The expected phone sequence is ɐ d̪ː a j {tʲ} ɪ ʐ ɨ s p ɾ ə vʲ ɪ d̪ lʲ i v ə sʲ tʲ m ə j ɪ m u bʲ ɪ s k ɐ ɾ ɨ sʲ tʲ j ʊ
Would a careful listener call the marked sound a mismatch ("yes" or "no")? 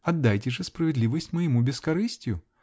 no